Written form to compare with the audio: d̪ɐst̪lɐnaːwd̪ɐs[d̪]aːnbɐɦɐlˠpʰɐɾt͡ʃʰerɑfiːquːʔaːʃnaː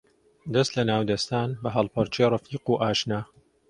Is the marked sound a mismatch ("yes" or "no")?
yes